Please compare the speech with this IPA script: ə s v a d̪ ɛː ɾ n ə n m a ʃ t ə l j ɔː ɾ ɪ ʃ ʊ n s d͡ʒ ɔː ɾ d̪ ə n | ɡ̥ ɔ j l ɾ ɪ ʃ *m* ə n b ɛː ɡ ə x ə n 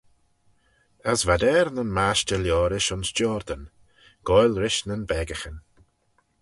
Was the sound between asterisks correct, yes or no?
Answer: no